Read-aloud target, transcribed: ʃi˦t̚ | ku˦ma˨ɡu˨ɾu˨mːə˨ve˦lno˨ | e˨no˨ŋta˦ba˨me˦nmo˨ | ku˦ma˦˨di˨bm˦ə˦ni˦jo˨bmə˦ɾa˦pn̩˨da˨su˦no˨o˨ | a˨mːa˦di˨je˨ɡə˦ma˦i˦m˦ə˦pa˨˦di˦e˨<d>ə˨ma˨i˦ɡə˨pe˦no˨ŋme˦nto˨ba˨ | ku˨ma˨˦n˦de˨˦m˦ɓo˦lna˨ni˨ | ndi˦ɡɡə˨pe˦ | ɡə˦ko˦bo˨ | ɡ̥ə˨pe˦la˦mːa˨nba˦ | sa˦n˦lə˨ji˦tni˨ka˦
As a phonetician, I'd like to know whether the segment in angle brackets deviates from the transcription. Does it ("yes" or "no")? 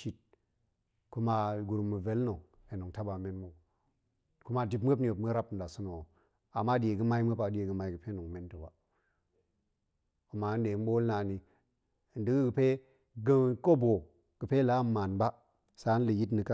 yes